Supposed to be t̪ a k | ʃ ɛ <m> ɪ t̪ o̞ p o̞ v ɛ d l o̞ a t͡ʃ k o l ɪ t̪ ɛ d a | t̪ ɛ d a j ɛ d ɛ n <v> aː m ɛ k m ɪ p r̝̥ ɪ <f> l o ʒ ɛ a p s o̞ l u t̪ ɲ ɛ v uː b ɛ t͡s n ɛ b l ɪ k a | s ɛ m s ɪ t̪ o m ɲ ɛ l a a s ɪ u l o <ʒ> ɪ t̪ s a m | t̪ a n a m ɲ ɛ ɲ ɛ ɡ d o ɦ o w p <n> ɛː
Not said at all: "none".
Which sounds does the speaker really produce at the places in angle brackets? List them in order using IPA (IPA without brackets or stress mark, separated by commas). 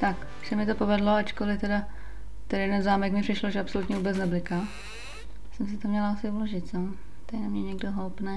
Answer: m, z, ʃ, ʒ, n